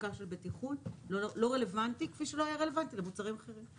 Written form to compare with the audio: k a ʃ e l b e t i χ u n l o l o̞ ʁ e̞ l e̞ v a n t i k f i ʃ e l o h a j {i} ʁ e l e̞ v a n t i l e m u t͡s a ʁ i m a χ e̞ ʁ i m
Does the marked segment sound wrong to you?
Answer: yes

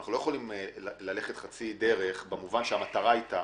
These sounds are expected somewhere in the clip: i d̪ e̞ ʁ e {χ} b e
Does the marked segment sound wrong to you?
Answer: no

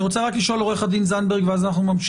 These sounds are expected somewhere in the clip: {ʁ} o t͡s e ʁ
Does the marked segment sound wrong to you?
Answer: no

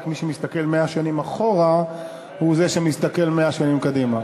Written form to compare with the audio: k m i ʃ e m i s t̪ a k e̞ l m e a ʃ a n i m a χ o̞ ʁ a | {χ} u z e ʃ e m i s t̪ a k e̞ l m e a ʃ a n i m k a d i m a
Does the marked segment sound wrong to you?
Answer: yes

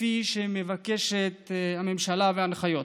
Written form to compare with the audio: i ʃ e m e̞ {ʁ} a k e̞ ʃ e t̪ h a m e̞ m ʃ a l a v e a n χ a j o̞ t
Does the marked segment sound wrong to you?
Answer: yes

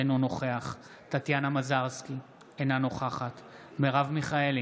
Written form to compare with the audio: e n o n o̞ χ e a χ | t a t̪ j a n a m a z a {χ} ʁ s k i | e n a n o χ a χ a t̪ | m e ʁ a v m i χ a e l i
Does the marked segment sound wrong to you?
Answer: yes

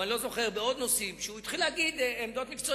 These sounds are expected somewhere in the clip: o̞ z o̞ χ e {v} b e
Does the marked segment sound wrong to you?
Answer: yes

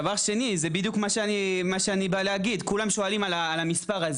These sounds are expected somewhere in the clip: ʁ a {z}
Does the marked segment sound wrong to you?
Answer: no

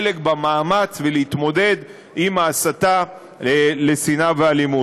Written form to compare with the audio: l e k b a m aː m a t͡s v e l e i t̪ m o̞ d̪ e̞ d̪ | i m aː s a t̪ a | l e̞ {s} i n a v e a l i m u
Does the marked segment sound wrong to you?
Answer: no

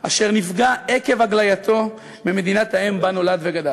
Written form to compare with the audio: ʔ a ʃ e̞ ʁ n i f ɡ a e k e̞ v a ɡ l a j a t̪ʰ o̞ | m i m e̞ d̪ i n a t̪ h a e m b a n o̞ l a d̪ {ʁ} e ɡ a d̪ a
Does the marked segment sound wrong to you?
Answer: yes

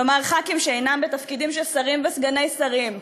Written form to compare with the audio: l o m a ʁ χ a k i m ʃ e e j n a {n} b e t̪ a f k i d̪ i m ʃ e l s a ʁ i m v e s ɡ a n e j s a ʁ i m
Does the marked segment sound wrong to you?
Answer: yes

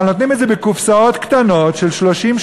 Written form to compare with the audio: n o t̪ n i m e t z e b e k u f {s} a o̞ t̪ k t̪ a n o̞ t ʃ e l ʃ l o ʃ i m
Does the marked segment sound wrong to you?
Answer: no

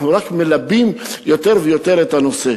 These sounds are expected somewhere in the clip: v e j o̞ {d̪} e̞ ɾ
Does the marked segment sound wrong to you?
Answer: yes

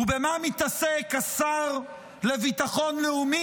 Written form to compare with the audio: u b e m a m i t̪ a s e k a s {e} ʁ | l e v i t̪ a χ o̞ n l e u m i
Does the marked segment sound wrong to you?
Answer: yes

